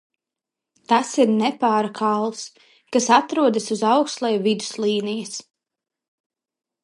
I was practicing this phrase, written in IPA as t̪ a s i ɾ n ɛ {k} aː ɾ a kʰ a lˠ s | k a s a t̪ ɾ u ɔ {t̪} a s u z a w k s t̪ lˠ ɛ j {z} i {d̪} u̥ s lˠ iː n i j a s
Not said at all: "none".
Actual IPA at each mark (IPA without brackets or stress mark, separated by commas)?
p, d̪, v, d̪